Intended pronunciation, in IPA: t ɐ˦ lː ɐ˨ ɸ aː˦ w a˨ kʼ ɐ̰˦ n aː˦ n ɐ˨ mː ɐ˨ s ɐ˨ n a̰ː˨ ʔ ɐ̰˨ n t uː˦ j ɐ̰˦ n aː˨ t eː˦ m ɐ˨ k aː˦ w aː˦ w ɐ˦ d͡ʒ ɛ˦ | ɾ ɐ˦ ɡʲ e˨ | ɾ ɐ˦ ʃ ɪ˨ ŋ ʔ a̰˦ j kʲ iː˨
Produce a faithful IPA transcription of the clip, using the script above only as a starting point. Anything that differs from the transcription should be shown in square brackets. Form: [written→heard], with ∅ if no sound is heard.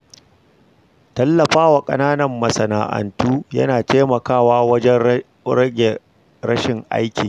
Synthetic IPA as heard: t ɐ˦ lː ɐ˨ ɸ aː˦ w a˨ kʼ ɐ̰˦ n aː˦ n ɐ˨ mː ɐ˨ s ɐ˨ n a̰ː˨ ʔ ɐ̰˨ n t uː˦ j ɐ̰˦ n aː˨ t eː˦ m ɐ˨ k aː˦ w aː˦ w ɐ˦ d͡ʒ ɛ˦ | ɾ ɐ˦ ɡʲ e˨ | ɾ ɐ˦ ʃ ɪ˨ ŋ ʔ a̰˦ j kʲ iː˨